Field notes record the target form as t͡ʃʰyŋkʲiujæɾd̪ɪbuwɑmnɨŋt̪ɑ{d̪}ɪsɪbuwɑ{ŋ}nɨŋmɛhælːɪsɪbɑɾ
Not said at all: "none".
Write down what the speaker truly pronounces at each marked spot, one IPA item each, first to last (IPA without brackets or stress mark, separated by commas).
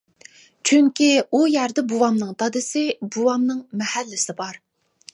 d̪, m